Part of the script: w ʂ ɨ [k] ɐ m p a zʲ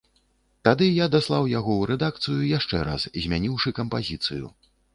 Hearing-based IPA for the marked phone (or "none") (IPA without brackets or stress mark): k